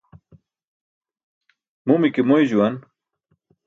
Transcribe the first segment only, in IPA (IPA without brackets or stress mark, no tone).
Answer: m